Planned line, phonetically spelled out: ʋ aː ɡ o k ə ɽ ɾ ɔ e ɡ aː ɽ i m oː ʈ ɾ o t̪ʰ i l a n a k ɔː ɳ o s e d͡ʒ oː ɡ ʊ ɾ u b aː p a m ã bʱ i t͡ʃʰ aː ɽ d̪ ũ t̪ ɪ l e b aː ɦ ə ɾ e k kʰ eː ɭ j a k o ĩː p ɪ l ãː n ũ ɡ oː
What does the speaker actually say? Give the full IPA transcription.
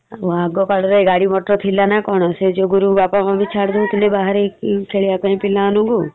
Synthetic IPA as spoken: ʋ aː ɡ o k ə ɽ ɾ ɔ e ɡ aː ɽ i m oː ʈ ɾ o t̪ʰ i l a n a k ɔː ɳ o s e d͡ʒ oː ɡ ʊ ɾ u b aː p a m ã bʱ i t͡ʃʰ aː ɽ d̪ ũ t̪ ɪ l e b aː ɦ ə ɾ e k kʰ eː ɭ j a k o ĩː p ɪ l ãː n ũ ɡ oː